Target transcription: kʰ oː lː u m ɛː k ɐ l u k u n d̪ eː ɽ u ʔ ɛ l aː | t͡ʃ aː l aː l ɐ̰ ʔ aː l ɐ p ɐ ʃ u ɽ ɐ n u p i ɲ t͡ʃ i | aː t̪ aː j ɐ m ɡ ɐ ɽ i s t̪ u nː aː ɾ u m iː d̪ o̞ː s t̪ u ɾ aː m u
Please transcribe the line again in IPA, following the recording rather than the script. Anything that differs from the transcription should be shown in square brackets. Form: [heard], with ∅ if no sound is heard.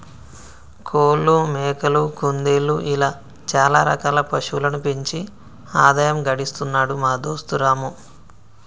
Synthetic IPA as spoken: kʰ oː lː u m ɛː k ɐ l u k u n d̪ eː [l] u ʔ [i] l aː | t͡ʃ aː l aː [ɾ] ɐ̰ [k] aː l ɐ p ɐ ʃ u [l] ɐ n u p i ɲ t͡ʃ i | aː [d̪] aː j ɐ m ɡ ɐ ɽ i s t̪ u nː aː [ɽ] u m [aː] d̪ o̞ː s t̪ u ɾ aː m u